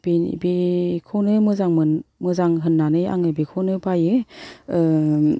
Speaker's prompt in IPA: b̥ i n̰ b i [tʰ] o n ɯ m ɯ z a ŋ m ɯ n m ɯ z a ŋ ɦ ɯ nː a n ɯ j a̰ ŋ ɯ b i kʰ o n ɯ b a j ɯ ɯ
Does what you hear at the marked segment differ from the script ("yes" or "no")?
yes